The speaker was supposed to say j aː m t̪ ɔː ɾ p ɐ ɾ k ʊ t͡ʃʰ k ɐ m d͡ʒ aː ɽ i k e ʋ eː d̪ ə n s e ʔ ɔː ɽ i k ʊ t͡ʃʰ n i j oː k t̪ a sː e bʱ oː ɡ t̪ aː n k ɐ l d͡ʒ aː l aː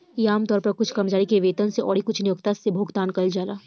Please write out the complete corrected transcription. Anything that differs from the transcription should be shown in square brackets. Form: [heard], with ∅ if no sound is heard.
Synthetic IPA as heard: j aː m t̪ ɔː ɾ p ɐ ɾ k ʊ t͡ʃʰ k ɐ m d͡ʒ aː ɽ i k e ʋ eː [t̪] ə n s e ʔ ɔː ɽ i k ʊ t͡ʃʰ n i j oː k t̪ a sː e bʱ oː ɡ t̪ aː n k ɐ l d͡ʒ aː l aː